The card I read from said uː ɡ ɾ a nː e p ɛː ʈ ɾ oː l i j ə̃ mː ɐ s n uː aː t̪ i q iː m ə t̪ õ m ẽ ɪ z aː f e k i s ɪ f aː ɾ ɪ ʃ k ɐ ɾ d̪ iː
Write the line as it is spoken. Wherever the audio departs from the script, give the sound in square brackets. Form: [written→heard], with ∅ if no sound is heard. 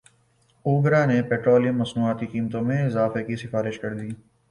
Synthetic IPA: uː ɡ ɾ a [nː→n] e p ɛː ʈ ɾ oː l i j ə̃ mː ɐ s n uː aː t̪ i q iː m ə t̪ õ m ẽ ɪ z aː f e k i s ɪ f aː ɾ ɪ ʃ k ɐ ɾ d̪ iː